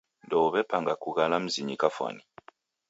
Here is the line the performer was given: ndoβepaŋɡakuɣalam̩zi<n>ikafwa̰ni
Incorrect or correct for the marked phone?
incorrect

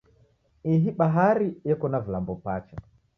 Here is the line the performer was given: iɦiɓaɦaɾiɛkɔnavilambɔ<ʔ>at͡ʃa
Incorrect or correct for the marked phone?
incorrect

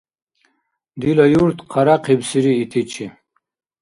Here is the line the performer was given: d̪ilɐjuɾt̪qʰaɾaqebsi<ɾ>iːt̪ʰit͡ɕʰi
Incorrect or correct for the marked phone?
correct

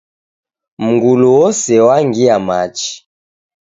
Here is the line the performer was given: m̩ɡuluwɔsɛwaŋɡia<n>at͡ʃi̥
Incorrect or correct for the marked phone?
incorrect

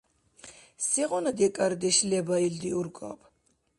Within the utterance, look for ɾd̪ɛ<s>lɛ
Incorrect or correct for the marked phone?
incorrect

